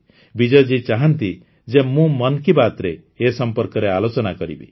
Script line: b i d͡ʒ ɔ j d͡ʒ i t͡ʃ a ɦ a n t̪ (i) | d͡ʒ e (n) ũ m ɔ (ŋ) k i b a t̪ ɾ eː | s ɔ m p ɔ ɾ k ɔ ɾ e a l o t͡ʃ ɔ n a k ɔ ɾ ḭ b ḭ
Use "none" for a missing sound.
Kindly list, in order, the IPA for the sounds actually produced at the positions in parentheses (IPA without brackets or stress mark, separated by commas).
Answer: i, m, n